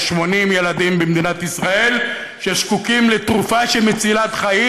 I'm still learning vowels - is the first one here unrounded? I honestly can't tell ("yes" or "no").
no